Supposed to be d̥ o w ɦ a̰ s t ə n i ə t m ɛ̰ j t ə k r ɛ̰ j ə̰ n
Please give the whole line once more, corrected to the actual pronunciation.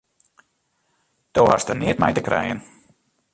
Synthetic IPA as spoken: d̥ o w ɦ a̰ s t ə n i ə t m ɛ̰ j t ə k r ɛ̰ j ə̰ n